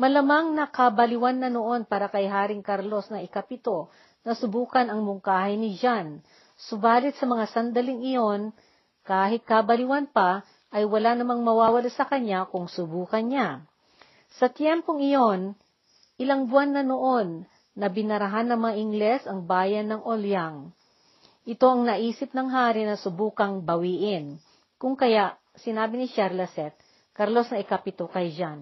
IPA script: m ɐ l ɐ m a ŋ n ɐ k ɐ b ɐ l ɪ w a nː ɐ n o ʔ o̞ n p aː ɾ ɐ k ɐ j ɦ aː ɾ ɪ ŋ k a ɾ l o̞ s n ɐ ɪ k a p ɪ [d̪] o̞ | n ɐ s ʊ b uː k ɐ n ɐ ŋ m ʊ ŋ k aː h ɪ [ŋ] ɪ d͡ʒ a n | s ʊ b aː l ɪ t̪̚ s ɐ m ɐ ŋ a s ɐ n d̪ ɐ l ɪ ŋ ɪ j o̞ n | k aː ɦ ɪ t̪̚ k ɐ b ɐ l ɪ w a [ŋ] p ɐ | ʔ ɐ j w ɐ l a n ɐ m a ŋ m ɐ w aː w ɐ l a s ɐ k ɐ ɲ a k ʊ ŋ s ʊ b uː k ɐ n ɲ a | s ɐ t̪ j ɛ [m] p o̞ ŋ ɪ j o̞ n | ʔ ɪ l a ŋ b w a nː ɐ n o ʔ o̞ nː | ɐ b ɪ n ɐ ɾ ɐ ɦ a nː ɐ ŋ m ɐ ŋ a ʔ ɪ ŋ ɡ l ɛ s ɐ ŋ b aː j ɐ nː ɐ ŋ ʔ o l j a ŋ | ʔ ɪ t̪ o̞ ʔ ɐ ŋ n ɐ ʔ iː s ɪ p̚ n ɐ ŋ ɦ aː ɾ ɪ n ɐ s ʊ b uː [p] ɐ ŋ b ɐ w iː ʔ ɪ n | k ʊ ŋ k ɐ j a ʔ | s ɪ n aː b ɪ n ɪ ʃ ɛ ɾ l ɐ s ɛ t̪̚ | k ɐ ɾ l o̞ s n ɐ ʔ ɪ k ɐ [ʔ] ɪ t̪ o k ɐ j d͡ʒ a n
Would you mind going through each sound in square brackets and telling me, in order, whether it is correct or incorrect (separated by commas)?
incorrect, incorrect, incorrect, correct, incorrect, incorrect